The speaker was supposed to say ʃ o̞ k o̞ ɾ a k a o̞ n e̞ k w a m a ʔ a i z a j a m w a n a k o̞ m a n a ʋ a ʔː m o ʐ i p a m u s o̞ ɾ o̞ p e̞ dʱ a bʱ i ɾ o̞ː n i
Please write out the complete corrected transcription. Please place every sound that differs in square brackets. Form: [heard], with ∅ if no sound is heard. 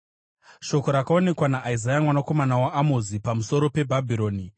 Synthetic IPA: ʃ o̞ k o̞ ɾ a k a o̞ n e̞ k w a [n] a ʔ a i z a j a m w a n a k o̞ m a n a [w] a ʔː m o [z] i p a m u s o̞ ɾ o̞ p e̞ [bʱ] a bʱ i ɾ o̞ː n i